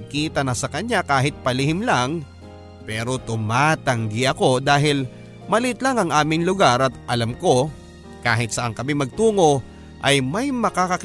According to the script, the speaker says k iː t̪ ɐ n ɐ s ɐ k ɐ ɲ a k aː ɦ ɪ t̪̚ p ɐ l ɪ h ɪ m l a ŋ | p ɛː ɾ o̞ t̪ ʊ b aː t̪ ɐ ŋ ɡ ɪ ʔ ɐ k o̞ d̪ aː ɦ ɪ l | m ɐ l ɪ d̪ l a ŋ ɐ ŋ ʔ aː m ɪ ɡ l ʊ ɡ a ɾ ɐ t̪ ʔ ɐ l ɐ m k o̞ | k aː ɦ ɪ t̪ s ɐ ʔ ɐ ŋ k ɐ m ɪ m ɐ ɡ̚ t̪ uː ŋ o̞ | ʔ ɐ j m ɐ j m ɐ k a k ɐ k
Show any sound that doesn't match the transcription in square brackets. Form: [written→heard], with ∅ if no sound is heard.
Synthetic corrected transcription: k iː t̪ ɐ n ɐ s ɐ k ɐ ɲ a k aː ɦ ɪ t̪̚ p ɐ l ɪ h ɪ m l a ŋ | p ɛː ɾ o̞ t̪ ʊ [b→m] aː t̪ ɐ ŋ ɡ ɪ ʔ ɐ k o̞ d̪ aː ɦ ɪ l | m ɐ l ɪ [d̪→t̪] l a ŋ ɐ ŋ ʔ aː m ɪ [ɡ→ŋ] l ʊ ɡ a ɾ ɐ t̪ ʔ ɐ l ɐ m k o̞ | k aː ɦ ɪ t̪ s ɐ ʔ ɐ ŋ k ɐ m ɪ m ɐ ɡ̚ t̪ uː ŋ o̞ | ʔ ɐ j m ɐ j m ɐ k a k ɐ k